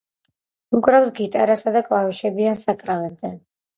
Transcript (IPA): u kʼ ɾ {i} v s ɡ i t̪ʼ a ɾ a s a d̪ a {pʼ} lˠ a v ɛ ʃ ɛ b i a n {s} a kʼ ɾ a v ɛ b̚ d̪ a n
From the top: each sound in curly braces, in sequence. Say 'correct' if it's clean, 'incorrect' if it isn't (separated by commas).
incorrect, incorrect, correct